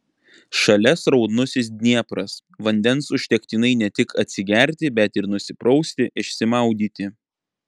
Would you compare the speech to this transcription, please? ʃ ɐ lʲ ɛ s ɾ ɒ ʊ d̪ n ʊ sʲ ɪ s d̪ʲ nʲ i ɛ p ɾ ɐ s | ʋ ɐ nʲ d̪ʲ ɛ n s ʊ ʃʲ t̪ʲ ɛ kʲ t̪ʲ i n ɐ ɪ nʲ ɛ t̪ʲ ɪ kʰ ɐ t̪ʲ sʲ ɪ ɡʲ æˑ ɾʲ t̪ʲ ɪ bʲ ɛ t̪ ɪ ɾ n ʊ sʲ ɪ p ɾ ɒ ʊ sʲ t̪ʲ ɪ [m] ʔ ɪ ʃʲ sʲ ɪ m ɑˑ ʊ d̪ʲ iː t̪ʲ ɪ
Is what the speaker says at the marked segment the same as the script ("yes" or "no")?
no